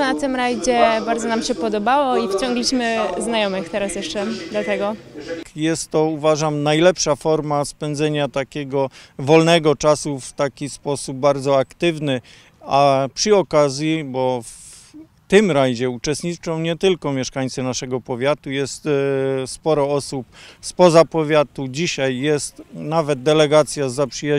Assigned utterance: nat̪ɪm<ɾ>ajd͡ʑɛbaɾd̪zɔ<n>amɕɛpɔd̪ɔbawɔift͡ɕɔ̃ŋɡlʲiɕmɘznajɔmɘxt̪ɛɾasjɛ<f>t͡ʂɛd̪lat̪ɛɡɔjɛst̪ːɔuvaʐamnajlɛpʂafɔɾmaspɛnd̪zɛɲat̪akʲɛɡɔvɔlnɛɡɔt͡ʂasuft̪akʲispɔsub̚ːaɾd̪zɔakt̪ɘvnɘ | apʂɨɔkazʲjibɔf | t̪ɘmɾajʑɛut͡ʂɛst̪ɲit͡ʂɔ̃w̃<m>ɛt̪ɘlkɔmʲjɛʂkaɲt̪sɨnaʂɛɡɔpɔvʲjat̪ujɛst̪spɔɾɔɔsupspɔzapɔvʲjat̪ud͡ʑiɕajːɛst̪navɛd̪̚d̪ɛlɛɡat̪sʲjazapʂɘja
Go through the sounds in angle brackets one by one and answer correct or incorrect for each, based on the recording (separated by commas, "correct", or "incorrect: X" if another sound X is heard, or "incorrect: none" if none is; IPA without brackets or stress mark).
correct, correct, incorrect: ʂ, incorrect: ɲ